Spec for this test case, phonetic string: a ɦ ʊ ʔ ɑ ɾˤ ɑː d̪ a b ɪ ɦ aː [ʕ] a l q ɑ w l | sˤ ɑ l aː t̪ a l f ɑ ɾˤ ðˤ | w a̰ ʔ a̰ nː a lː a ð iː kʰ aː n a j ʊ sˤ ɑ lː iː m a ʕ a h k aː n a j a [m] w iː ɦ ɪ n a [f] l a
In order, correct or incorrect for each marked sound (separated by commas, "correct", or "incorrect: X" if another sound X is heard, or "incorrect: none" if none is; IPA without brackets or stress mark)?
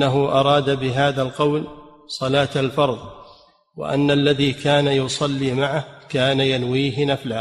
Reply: incorrect: ð, incorrect: n, correct